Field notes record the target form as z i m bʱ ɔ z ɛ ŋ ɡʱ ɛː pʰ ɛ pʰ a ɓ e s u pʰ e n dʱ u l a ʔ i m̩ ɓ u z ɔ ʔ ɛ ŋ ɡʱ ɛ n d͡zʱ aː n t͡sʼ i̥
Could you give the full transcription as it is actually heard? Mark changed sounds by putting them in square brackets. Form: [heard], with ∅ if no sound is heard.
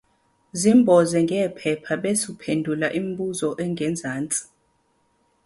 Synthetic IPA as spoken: z i m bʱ ɔ z ɛ ŋ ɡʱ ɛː pʰ ɛ pʰ a ɓ e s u pʰ e n dʱ u l a ʔ i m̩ ɓ u z ɔ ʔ ɛ ŋ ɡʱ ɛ n d͡zʱ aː n t͡sʼ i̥